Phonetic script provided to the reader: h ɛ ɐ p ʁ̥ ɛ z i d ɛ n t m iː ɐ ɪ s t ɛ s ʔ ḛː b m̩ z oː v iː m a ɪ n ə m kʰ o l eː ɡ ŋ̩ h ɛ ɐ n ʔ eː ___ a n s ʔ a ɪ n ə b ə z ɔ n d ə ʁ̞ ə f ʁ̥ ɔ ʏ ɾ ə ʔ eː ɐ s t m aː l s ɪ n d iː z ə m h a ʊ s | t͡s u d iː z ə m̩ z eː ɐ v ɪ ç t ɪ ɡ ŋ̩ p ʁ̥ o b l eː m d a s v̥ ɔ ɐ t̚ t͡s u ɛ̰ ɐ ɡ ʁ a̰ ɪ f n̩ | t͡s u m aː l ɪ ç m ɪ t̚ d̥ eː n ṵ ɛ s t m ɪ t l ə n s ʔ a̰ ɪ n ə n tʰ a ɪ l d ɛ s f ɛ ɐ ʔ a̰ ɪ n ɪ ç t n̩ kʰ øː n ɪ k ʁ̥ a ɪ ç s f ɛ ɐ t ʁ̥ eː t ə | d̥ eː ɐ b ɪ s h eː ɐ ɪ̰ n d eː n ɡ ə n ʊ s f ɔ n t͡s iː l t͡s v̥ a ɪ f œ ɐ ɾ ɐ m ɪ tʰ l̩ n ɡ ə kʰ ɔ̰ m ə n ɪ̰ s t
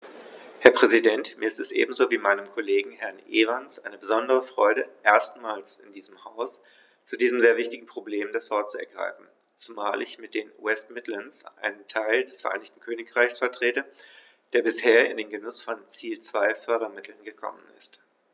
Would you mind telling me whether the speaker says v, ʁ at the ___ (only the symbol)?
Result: ʁ